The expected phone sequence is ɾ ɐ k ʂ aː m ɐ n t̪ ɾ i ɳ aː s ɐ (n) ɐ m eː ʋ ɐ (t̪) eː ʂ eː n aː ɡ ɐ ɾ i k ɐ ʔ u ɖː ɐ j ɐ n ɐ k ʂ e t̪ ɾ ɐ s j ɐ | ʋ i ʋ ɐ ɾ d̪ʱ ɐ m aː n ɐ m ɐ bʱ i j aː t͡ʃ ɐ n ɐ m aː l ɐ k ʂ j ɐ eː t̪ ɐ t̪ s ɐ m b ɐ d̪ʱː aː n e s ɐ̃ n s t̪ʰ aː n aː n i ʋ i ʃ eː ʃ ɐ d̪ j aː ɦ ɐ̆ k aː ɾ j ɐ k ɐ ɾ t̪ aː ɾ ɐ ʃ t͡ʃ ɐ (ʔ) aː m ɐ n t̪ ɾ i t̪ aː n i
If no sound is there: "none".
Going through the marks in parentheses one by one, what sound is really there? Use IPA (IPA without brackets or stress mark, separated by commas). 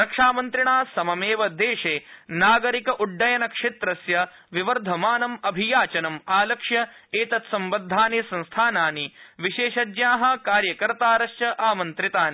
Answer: m, d̪, ʔ